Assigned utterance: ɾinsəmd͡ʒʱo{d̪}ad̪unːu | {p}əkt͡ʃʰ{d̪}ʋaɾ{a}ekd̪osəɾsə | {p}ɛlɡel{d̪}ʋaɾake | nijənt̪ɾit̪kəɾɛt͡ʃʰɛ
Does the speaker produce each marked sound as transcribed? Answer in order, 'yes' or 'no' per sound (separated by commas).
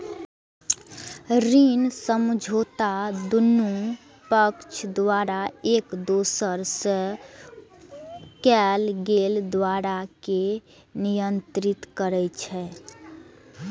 no, yes, yes, yes, no, yes